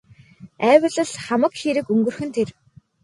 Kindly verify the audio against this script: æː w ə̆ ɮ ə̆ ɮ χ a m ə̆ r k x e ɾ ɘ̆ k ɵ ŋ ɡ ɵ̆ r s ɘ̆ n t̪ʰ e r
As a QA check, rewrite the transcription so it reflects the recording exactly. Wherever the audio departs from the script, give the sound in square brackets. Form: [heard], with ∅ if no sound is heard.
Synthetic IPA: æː w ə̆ ɮ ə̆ ɮ χ a m ə̆ [∅] k x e ɾ ɘ̆ k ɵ ŋ ɡ ɵ̆ r [x] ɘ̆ n t̪ʰ e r